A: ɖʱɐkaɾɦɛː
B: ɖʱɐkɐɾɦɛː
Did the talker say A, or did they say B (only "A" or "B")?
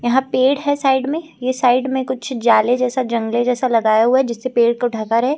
A